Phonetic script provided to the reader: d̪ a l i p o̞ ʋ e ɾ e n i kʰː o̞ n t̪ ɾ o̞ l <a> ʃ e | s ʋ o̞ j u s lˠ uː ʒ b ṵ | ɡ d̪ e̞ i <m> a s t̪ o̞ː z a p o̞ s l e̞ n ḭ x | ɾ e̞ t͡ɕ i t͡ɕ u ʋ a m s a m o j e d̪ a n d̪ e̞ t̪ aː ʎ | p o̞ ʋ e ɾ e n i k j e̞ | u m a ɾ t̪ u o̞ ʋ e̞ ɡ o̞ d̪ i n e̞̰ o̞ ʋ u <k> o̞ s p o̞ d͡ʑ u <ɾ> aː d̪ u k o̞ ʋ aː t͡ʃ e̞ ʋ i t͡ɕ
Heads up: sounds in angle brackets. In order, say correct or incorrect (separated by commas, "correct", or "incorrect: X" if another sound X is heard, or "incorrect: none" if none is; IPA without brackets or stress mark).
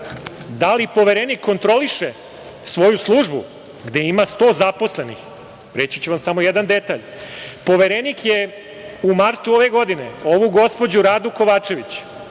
incorrect: i, correct, incorrect: ɡ, correct